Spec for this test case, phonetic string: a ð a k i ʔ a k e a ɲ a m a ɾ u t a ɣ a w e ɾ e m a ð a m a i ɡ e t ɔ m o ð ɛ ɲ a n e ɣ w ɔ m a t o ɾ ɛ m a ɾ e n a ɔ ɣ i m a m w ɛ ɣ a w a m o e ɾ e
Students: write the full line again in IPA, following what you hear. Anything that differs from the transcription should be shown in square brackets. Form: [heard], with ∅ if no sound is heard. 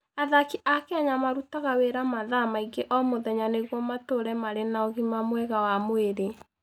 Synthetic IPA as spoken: a ð a k i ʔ a k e a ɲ a m a ɾ u t a ɣ a w e ɾ [a] m a ð a m a i ɡ e [ʔ] ɔ m o ð ɛ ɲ a n e ɣ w ɔ m a t o ɾ ɛ m a ɾ e n a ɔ ɣ i m a m w ɛ ɣ a w a m o e ɾ e